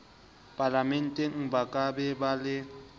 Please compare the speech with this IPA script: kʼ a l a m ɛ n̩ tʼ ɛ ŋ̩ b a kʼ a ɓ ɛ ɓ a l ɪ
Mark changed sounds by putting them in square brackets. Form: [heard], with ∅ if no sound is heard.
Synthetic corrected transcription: [pʼ] a l a m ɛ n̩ tʼ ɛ ŋ̩ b a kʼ a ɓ ɛ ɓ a l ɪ